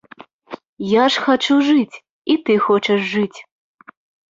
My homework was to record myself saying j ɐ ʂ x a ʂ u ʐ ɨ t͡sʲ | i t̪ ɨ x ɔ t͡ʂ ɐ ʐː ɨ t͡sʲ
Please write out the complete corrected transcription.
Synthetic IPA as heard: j a ʂ x a t͡ʂ u ʐ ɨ t͡sʲ | i t̪ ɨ x ɔ t͡ʂ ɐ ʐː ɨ t͡sʲ